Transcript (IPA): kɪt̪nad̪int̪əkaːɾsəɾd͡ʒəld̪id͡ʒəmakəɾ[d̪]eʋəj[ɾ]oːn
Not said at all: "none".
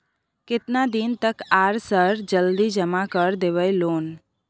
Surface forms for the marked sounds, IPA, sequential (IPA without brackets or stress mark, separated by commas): d̪, l